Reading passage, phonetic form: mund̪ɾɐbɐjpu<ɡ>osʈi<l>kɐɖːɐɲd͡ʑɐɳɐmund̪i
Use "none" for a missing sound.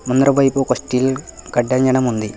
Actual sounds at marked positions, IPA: k, l

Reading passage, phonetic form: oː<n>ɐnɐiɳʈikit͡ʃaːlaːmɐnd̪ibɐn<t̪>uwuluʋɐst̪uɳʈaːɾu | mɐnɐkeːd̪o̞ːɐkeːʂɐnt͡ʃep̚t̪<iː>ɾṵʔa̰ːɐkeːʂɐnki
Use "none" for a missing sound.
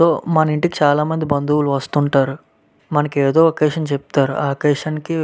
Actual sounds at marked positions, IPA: m, d̪, aː

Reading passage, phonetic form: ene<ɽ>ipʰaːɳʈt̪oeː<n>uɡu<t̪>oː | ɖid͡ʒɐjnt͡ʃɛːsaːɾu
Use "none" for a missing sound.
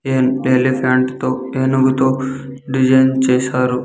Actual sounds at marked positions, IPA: l, n, t̪

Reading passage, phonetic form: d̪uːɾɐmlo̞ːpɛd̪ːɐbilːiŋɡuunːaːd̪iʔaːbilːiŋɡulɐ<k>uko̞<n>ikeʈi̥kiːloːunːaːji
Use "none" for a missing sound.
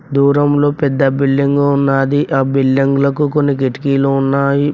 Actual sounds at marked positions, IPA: k, nː

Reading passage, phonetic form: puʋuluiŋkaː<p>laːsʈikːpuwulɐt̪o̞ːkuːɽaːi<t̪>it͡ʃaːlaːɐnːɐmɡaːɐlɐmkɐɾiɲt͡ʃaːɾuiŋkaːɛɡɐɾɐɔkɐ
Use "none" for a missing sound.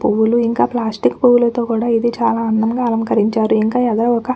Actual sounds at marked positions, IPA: p, d̪

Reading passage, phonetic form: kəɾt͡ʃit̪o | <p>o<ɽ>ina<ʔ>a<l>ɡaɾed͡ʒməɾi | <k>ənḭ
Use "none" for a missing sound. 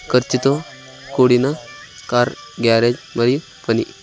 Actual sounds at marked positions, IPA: k, ɽ, k, ɾ, p

